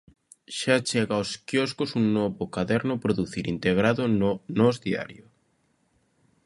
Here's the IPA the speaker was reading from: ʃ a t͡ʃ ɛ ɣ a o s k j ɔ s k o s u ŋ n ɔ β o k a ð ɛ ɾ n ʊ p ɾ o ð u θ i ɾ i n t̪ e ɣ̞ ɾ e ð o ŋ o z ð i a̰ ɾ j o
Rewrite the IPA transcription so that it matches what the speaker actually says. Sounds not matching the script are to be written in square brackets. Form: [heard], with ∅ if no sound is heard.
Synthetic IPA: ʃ a t͡ʃ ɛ ɣ a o s k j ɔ s k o s u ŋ n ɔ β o k a ð ɛ ɾ n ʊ p ɾ o ð u θ i ɾ i n t̪ e ɣ̞ ɾ [a] ð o [n] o z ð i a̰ ɾ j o

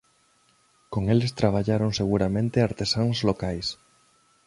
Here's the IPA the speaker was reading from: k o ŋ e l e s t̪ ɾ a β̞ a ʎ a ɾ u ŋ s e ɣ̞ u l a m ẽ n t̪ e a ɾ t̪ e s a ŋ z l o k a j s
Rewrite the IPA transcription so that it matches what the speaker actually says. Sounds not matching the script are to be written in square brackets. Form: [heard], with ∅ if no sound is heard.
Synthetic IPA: k o ŋ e l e s t̪ ɾ a β̞ a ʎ a ɾ [o] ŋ s e ɣ̞ u [ɾ] a m ẽ n t̪ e a ɾ t̪ e s a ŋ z l o k a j s

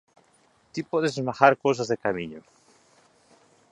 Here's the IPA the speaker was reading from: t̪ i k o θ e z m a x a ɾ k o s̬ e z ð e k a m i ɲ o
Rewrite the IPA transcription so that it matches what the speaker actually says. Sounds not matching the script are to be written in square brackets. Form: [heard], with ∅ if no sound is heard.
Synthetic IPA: t̪ i [p] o [ð] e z m a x a ɾ k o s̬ [a] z ð e k a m i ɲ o

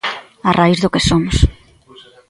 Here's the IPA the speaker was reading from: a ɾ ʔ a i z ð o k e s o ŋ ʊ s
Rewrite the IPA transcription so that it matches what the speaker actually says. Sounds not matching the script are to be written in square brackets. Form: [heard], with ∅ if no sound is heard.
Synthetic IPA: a [r] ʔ a i z ð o k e s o [m] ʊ s

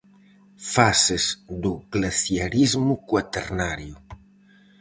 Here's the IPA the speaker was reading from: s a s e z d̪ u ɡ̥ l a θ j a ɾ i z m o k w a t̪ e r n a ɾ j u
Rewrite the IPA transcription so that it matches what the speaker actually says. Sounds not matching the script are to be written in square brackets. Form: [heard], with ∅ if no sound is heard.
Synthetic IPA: [f] a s e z d̪ u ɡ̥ l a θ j a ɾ i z m [u] k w a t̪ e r n a ɾ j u

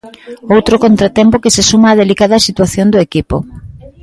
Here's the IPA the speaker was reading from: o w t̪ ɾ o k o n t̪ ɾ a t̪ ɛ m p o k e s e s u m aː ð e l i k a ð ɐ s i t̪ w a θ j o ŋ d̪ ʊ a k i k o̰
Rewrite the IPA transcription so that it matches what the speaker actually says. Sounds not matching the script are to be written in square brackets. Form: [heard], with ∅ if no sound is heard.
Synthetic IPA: o w t̪ ɾ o k o n t̪ ɾ a t̪ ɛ m p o k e s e s u m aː ð e l i k a ð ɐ s i t̪ w a θ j o [n] d̪ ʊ [e] k i [p] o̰

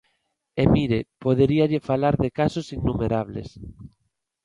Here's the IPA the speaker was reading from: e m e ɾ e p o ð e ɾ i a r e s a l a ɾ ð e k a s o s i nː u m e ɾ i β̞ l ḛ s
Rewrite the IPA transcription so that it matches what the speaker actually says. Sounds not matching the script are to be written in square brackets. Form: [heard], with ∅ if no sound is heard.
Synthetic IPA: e m [i] ɾ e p o ð e ɾ i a [ʎ] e [f] a l a ɾ ð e k a s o s i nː u m e ɾ [a] β̞ l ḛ s

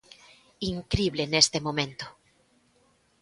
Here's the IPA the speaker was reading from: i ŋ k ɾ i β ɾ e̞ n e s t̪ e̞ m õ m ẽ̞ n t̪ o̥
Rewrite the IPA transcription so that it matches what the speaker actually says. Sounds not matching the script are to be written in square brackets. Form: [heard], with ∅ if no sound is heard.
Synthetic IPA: i ŋ k ɾ i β [l] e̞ n e s t̪ e̞ m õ m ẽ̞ n t̪ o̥

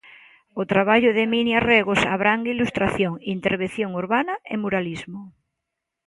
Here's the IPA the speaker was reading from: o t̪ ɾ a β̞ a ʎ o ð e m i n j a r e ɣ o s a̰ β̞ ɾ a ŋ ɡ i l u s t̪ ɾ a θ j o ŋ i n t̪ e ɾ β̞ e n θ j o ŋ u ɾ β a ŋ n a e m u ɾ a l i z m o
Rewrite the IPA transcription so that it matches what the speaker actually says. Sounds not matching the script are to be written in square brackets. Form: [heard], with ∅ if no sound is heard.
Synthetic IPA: o t̪ ɾ a β̞ a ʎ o ð e m i n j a r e ɣ o s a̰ β̞ ɾ a ŋ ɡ i l u s t̪ ɾ a θ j o ŋ i n t̪ e ɾ β̞ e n θ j o ŋ u ɾ β a [∅] n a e m u ɾ a l i z m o

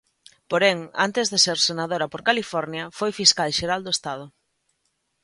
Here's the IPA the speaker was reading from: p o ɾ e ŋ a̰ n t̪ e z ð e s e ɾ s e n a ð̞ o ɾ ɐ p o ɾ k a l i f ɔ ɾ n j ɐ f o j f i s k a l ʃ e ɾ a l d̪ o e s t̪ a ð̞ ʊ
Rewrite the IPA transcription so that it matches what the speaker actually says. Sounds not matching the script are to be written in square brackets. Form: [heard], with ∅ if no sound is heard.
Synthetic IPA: p o ɾ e ŋ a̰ n t̪ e z ð e s e ɾ s e n a ð̞ o ɾ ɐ p o ɾ k a l i f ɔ ɾ n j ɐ f o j f i s k a l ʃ e ɾ a l d̪ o e s t̪ a ð̞ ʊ

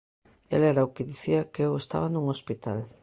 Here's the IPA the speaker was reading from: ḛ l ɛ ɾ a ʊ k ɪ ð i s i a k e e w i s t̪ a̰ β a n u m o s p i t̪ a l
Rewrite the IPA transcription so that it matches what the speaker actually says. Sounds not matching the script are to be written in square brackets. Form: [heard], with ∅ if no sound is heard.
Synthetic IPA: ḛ l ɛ ɾ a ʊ k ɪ ð i [θ] i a k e e w [e] s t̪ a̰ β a n u [ŋ] o s p i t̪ a l

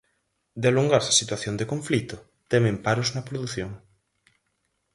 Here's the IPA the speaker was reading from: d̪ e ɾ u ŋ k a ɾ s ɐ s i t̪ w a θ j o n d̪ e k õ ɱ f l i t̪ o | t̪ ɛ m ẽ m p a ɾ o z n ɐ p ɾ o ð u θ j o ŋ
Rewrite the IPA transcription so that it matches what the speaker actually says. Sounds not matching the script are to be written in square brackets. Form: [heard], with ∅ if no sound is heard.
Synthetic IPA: d̪ e [l] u ŋ [ɡ] a ɾ s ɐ s i t̪ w a θ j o n d̪ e k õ ɱ f l i t̪ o | t̪ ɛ m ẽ m p a ɾ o z n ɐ p ɾ o ð u θ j o ŋ

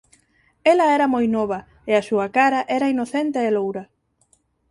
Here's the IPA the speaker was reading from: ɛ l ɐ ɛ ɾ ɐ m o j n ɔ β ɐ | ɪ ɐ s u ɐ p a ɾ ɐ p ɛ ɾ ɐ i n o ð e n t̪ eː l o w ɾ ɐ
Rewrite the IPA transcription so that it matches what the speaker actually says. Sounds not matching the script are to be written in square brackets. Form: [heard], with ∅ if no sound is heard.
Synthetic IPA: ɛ l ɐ ɛ ɾ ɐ m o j n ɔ β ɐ | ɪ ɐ s u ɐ [k] a ɾ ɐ [ʔ] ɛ ɾ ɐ i n o [θ] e n t̪ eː l o w ɾ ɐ

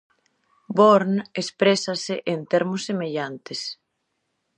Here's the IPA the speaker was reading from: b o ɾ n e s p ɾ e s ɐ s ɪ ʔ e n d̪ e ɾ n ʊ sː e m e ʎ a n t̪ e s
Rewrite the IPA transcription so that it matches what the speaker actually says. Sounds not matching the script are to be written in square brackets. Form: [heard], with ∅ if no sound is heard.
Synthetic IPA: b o ɾ n e s p ɾ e s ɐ s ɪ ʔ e n [t̪] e ɾ [m] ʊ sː e m e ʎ a n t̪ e s

